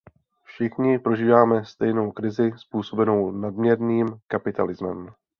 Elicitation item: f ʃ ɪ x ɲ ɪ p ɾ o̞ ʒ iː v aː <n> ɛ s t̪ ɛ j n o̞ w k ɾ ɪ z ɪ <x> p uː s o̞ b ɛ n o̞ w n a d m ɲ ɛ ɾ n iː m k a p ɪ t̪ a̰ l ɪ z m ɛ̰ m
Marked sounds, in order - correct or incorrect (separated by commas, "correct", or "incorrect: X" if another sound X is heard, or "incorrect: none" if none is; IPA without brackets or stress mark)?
incorrect: m, incorrect: s